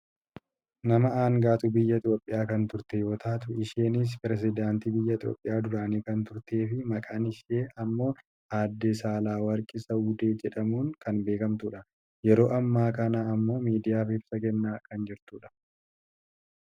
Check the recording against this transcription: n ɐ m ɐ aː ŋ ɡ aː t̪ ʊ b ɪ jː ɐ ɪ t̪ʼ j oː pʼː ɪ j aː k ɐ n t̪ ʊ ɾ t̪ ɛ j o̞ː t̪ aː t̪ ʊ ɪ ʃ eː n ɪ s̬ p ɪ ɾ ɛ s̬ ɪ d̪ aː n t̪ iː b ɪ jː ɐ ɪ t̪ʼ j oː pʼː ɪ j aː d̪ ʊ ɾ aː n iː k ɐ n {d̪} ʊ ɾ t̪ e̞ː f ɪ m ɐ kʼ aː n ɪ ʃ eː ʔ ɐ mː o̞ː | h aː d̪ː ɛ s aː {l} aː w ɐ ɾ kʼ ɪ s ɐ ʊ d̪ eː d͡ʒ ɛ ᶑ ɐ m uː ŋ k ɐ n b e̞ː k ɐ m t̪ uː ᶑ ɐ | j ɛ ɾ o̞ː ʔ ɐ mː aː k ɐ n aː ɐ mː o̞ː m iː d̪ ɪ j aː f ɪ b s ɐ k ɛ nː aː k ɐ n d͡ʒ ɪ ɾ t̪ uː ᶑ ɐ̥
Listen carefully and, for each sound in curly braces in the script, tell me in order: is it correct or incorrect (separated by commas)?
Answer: incorrect, correct